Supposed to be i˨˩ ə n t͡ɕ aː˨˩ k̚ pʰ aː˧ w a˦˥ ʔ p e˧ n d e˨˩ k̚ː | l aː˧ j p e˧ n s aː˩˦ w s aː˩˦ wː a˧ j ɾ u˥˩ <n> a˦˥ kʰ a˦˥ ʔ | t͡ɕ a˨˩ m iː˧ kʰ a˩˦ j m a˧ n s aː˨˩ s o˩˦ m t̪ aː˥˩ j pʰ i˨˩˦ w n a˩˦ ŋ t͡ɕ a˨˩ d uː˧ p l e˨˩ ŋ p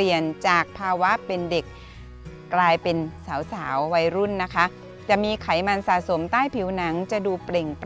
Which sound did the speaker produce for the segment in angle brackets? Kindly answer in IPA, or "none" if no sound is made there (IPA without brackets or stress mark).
nː